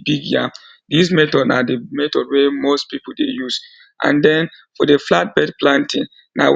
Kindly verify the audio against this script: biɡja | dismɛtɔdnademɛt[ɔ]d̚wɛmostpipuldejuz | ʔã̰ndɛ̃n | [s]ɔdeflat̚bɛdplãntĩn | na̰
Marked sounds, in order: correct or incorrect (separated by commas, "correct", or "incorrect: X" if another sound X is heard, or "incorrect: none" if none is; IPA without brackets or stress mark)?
correct, incorrect: f